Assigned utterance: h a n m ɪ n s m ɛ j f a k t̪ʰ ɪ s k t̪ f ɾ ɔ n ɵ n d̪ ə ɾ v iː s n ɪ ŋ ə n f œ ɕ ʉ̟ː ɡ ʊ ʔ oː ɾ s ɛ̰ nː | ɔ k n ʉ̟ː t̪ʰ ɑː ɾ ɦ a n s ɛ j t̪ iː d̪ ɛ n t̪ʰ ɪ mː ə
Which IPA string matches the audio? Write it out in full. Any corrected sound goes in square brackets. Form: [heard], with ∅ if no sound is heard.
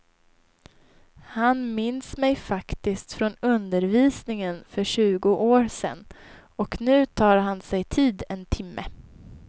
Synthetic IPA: h a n m ɪ n s m ɛ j f a k [t̪] ɪ s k t̪ f ɾ ɔ n ɵ n d̪ ə ɾ v iː s n ɪ ŋ ə n f œ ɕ ʉ̟ː ɡ ʊ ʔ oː ɾ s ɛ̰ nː | ɔ k n ʉ̟ː t̪ʰ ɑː ɾ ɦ a n s ɛ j [t̪ʰ] iː d̪ ɛ n t̪ʰ ɪ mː ə